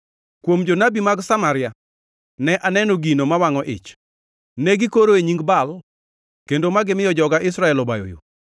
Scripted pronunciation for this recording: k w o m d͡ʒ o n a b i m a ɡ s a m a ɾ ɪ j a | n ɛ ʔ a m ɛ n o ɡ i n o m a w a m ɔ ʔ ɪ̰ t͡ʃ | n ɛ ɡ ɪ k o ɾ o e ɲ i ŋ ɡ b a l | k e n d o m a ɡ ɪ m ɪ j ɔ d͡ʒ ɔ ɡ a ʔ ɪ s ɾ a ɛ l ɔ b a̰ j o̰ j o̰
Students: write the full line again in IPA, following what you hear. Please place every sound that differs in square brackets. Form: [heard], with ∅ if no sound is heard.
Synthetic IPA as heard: k w o m d͡ʒ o n a b i m a ɡ s a m a ɾ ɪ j a | n ɛ ʔ a [n] ɛ n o ɡ i n o m a w a [ŋ] ɔ ʔ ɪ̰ t͡ʃ | n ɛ ɡ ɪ k o ɾ o e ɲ i ŋ ɡ b a l | k e n d o m a ɡ ɪ m ɪ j ɔ d͡ʒ ɔ ɡ a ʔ ɪ s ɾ a ɛ l ɔ b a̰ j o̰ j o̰